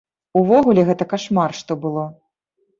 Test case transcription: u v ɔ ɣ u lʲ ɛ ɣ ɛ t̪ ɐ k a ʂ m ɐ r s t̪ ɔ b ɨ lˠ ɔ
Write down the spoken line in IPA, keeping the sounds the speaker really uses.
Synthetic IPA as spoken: u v ɔ ɣ u lʲ ɛ ɣ ɛ t̪ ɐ k a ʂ m a r ʂ t̪ ɔ b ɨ lˠ ɔ